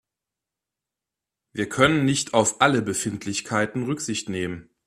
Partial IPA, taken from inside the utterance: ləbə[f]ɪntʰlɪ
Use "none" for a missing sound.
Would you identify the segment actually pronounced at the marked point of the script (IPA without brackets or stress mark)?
f